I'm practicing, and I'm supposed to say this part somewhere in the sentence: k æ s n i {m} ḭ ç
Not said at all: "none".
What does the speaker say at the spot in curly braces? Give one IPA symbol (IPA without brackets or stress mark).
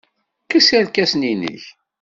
n